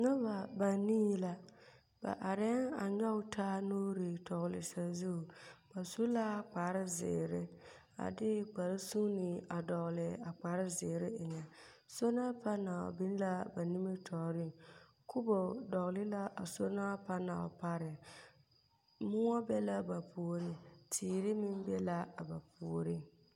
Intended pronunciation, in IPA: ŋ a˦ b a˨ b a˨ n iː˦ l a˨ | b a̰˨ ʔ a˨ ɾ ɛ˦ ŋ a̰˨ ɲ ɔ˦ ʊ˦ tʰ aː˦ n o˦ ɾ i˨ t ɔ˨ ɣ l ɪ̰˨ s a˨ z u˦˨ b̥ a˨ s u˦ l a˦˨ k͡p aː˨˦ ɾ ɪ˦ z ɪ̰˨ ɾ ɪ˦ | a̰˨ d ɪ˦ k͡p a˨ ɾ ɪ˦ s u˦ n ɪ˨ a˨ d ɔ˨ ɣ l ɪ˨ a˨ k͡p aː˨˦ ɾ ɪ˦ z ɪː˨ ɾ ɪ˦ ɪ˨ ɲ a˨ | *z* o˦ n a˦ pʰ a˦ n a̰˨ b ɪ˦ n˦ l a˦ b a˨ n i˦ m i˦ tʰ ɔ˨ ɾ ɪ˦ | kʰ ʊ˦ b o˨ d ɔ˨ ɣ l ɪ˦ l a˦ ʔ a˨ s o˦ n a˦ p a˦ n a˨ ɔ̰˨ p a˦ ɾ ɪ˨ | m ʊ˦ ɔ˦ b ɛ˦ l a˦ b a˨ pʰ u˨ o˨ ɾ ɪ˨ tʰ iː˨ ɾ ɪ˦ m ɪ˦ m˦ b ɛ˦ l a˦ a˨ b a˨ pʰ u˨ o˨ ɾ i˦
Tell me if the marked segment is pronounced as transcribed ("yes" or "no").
no